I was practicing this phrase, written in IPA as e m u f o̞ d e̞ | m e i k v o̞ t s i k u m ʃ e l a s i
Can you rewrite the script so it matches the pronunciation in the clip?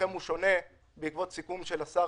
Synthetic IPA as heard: e m u ʃ o̞ n e̞ | b e i k v o̞ t s i k u m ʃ e l a s a